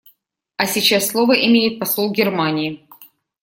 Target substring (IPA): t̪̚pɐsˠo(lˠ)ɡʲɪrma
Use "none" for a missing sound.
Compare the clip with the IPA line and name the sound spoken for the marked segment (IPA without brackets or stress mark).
lˠ